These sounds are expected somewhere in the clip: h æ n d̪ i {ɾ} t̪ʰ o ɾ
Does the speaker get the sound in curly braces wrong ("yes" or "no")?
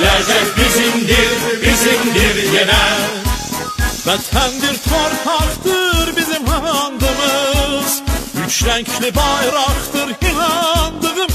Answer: no